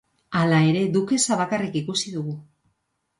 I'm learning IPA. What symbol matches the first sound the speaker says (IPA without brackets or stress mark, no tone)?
a